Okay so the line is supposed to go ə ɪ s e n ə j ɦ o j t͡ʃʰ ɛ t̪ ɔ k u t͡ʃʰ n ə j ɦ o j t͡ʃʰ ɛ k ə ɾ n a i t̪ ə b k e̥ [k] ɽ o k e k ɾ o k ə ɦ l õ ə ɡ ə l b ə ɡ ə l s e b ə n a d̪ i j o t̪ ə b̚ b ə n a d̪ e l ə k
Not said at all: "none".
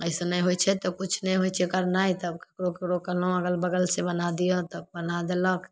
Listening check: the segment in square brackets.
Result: k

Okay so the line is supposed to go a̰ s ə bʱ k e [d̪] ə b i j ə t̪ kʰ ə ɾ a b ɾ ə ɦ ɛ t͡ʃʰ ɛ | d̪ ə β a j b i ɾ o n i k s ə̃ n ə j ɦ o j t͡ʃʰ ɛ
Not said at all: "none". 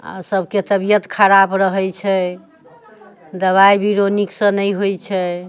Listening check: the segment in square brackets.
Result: t̪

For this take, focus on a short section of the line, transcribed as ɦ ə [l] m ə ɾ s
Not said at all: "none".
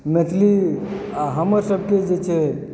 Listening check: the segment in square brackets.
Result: none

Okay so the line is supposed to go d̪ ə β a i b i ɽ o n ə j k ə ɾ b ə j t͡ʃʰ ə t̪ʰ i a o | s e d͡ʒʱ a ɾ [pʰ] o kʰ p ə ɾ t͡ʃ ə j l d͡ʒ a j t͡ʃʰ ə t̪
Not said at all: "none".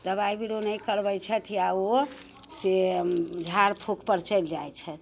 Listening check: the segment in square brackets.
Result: pʰ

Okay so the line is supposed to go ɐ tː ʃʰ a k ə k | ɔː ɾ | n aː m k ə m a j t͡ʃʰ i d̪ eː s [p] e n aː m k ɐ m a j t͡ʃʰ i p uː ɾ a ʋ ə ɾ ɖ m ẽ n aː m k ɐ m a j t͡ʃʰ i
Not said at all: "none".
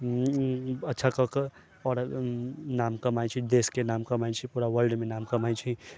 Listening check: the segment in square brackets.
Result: k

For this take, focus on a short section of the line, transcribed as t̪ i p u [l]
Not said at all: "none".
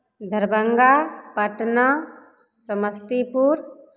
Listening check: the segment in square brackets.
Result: ɾ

